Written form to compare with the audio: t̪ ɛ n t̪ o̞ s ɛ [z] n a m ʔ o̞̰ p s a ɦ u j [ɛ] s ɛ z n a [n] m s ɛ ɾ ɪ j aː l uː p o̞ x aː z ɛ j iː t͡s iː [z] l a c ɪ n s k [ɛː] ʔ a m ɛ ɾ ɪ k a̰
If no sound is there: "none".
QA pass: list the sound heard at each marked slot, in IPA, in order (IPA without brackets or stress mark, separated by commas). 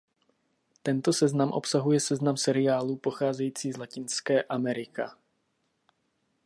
z, ɛ, none, z, ɛː